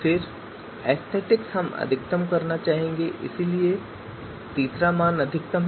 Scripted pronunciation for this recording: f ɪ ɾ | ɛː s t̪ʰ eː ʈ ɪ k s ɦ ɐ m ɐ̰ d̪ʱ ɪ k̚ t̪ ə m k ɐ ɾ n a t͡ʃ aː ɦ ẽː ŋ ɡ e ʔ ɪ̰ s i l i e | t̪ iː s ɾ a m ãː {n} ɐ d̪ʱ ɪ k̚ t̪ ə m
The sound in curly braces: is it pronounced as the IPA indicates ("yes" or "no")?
yes